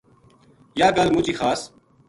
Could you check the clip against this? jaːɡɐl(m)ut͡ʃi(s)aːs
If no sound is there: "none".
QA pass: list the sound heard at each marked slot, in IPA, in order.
m, x

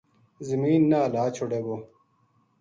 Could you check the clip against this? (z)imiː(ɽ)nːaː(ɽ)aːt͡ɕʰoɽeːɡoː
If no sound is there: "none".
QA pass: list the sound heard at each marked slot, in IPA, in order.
z, none, l

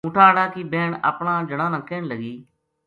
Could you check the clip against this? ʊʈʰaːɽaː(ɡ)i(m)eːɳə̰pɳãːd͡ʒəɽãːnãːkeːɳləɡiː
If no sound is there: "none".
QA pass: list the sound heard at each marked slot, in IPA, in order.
k, b

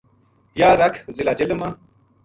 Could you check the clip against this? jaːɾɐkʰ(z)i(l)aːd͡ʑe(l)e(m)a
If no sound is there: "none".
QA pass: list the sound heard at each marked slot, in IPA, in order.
z, l, l, m

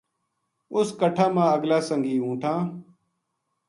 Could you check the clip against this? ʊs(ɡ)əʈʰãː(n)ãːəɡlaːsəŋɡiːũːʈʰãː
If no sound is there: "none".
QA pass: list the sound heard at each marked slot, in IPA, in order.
k, m

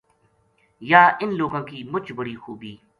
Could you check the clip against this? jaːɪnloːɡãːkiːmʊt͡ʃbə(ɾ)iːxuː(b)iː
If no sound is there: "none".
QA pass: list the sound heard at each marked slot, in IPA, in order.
ɽ, b

